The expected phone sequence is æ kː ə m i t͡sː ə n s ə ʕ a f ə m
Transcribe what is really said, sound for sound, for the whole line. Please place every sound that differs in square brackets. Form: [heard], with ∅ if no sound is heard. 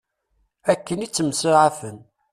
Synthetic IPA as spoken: æ kː ə [n] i t͡sː ə [m] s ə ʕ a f ə [n]